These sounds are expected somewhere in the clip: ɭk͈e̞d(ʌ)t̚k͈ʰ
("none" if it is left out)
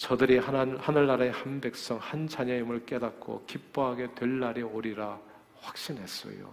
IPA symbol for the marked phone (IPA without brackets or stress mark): a